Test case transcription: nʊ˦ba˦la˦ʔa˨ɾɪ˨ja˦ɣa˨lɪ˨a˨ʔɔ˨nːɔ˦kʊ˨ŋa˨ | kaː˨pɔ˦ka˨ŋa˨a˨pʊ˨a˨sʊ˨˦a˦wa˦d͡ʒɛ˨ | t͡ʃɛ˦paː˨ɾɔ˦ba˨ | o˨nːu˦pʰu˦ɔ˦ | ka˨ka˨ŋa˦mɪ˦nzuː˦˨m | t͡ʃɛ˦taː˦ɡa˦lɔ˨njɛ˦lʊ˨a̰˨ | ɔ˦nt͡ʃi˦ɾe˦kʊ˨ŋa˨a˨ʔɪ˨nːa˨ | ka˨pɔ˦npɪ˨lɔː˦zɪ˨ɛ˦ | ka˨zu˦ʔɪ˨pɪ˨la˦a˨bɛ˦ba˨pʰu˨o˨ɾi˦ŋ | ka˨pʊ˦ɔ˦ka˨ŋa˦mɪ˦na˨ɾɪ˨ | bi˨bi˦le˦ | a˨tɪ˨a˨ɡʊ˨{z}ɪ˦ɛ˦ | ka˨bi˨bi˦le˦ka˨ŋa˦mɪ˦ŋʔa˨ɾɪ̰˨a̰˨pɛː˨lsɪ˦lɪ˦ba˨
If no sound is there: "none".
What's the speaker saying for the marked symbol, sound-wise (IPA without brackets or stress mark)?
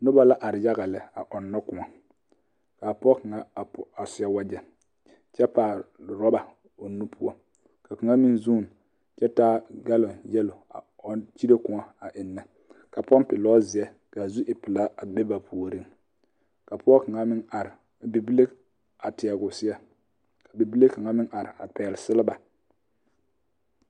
s